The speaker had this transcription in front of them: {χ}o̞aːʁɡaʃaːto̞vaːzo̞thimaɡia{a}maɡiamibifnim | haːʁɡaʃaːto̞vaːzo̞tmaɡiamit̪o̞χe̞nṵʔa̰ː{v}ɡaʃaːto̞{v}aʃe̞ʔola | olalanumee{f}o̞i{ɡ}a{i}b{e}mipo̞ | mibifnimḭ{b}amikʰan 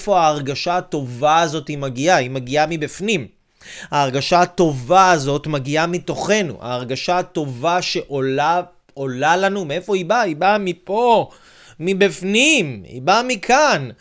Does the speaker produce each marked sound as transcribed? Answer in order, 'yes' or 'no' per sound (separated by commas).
no, no, no, yes, yes, no, yes, no, yes